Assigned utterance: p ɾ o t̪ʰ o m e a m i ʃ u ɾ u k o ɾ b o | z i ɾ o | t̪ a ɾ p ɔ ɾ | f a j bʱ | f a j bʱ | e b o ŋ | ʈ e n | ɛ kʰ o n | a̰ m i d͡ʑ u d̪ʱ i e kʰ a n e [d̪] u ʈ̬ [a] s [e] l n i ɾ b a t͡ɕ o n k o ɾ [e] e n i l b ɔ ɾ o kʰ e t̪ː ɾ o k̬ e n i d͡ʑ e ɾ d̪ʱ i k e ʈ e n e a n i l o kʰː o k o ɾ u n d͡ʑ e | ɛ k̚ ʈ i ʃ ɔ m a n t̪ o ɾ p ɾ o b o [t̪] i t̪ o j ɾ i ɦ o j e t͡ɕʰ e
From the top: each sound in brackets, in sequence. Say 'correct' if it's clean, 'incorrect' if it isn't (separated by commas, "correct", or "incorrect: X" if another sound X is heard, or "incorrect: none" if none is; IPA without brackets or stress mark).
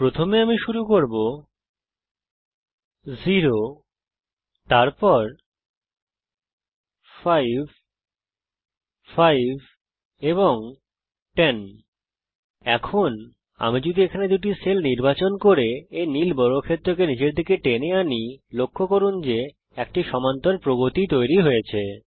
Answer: correct, incorrect: i, correct, correct, correct